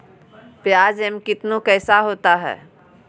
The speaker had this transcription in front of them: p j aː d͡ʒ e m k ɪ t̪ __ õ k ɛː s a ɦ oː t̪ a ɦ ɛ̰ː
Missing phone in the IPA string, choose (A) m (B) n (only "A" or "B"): B